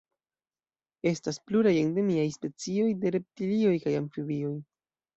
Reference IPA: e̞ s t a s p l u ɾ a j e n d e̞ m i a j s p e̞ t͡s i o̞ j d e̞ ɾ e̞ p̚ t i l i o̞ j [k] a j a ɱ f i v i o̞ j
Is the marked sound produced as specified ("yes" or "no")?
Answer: yes